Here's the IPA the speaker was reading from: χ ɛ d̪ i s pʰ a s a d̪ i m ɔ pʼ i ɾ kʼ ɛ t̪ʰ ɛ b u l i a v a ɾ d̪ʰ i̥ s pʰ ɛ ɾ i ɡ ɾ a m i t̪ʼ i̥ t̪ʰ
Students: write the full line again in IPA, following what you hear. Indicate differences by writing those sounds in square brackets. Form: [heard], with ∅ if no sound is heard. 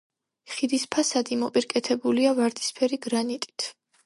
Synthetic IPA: χ [i] d̪ i s pʰ a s a d̪ i m ɔ pʼ i ɾ kʼ ɛ t̪ʰ ɛ b u l i a v a ɾ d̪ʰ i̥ s pʰ ɛ ɾ i ɡ ɾ a [n] i t̪ʼ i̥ t̪ʰ